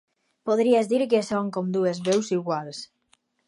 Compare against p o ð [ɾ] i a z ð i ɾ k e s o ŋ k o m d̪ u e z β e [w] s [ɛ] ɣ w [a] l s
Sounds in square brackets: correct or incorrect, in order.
correct, correct, incorrect, correct

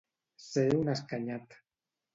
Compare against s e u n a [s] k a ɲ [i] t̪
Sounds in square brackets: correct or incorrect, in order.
correct, incorrect

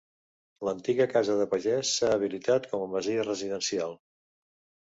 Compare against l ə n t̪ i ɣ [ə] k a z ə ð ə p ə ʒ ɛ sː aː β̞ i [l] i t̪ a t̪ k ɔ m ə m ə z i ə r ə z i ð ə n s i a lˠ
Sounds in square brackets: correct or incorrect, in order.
correct, correct

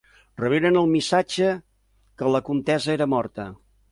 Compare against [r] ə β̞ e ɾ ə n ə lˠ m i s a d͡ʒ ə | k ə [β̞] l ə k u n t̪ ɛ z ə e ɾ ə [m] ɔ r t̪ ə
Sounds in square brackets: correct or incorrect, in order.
correct, incorrect, correct

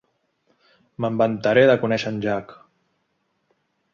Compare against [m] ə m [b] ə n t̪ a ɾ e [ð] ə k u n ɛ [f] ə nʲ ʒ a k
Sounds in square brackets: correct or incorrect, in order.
correct, correct, correct, incorrect

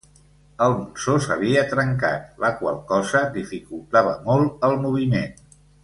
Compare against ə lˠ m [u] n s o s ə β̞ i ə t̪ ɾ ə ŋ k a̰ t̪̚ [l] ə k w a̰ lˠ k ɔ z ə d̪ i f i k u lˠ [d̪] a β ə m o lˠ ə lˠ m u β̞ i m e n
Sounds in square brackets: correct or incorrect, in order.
correct, correct, incorrect

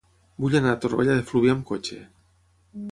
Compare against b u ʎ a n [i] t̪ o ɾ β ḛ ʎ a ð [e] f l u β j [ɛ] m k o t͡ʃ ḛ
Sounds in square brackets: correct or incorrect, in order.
incorrect, correct, incorrect

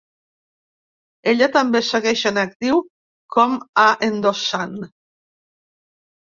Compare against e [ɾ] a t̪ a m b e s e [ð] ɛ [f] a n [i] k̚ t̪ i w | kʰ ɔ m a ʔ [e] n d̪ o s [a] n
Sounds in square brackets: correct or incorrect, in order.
incorrect, incorrect, incorrect, incorrect, correct, correct

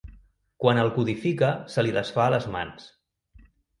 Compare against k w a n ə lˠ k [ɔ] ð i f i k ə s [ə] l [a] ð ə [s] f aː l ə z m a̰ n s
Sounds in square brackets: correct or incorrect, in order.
incorrect, correct, incorrect, correct

